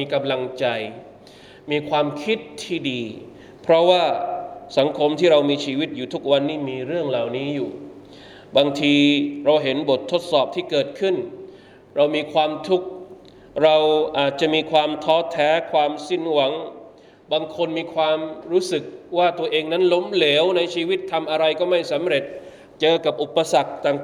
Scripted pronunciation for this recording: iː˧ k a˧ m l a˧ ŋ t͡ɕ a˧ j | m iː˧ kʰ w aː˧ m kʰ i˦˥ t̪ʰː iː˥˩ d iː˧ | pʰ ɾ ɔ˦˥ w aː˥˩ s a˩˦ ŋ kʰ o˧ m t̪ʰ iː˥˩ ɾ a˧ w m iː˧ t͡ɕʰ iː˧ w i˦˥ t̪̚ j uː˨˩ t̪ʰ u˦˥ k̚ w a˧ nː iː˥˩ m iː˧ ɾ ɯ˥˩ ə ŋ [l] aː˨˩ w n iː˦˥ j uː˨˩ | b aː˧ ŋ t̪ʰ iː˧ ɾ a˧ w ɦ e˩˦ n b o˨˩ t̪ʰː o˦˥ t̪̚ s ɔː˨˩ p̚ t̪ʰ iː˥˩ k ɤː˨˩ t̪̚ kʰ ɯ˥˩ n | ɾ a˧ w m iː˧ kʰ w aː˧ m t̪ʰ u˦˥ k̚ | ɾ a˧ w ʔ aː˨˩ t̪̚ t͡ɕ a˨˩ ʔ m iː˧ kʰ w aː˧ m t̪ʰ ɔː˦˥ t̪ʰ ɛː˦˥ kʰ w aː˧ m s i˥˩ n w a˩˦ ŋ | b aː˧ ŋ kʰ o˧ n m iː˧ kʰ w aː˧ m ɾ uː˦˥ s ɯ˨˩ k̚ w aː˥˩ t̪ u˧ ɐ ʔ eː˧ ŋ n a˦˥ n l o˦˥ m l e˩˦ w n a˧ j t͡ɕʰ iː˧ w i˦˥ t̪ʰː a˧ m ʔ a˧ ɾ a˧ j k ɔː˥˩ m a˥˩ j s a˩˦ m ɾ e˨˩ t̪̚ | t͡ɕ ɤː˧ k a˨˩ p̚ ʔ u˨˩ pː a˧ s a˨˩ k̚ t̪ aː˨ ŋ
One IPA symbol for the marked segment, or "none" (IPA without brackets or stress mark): l